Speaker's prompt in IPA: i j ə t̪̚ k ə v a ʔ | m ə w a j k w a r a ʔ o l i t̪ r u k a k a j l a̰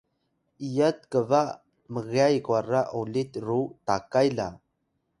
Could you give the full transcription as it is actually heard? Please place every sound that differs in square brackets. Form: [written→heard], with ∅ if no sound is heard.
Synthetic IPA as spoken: i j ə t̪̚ k ə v a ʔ | m ə [w→ɣ] a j k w a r a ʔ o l i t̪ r u [k→t] a k a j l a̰

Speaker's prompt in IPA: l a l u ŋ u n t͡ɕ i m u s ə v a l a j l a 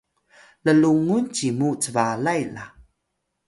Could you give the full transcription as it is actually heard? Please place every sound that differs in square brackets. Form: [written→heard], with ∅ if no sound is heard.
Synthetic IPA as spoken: l [a→ə] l u ŋ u n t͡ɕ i m u [s→t͡s] ə v a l a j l a

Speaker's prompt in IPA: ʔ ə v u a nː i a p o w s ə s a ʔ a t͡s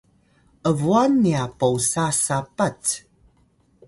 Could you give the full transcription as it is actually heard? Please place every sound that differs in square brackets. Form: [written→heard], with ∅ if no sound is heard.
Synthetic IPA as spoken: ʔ ə v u a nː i a p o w s [ə→a] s a [ʔ→p] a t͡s

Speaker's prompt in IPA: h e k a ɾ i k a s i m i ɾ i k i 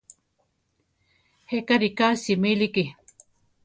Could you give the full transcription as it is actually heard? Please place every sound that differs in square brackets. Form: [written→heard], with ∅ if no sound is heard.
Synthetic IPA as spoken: h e k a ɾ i k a s i m i [ɾ→l] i k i

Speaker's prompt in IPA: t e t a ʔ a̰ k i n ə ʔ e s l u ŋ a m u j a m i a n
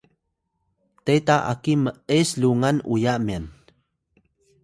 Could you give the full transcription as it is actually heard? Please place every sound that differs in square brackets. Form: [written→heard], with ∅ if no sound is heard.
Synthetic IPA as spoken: t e t a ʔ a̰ k i [n→m] ə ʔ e s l u ŋ a [m→n] u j a m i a n

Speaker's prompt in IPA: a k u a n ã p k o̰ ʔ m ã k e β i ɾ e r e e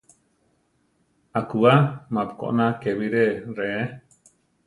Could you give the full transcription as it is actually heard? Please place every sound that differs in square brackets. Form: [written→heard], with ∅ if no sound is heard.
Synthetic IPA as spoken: a k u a [n→m] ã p k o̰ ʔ [m→n] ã k e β i ɾ e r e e

